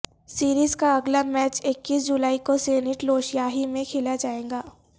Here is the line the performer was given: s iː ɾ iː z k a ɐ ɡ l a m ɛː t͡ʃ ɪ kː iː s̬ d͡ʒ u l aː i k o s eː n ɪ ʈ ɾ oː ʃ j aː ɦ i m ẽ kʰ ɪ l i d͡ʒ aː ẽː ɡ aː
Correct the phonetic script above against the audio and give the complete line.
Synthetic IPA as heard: s iː ɾ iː z k a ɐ ɡ l a m ɛː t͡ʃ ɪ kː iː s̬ d͡ʒ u l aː i k o s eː n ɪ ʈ l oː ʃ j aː ɦ i m ẽ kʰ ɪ l a d͡ʒ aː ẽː ɡ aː